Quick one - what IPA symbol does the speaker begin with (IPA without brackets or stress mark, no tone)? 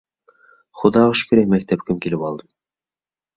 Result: χ